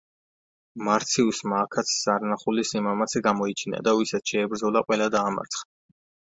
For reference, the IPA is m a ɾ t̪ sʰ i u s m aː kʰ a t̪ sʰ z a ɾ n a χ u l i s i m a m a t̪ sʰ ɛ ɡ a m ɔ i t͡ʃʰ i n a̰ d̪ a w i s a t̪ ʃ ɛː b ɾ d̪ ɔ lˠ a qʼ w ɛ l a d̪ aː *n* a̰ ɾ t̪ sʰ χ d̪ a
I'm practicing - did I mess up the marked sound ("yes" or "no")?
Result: yes